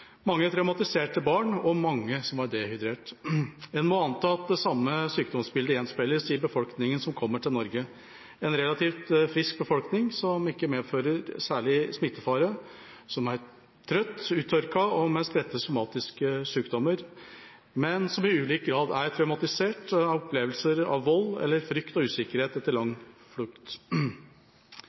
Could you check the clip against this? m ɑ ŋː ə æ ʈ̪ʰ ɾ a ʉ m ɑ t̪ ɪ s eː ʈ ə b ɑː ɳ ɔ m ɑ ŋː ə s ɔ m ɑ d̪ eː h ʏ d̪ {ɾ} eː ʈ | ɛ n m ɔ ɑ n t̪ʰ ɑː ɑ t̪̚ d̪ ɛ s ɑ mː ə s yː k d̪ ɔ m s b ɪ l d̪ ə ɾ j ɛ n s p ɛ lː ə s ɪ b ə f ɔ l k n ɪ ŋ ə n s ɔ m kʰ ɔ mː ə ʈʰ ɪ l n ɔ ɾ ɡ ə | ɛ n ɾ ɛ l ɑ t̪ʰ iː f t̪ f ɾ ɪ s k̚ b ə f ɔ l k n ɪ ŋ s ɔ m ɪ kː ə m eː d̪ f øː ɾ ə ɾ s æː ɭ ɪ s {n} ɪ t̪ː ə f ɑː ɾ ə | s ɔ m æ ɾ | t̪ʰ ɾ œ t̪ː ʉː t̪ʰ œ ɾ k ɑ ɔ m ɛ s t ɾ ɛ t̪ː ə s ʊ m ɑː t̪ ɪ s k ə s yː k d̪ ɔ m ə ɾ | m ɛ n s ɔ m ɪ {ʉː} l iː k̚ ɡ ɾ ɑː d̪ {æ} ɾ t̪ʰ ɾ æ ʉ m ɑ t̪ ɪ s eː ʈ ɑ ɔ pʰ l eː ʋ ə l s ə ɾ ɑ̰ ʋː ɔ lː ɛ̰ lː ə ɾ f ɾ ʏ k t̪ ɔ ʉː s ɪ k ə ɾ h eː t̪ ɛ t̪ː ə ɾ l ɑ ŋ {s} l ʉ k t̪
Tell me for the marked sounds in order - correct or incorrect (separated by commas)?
correct, incorrect, correct, correct, incorrect